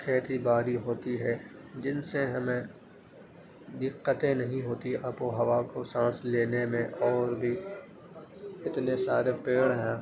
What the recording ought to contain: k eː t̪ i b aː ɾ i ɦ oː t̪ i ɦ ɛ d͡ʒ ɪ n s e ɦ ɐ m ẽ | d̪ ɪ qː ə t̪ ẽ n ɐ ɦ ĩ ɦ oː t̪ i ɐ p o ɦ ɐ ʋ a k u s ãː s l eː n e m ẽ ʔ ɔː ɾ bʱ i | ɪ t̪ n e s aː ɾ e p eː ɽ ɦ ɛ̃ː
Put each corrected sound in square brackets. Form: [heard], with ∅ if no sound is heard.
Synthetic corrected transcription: [kʰ] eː t̪ i b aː ɾ i ɦ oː t̪ i ɦ ɛ d͡ʒ ɪ n s e ɦ ɐ m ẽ | d̪ ɪ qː ə t̪ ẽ n ɐ ɦ ĩ ɦ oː t̪ i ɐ p o ɦ ɐ ʋ a k [o] s ãː s l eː n e m ẽ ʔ ɔː ɾ bʱ i | ɪ t̪ n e s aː ɾ e p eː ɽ ɦ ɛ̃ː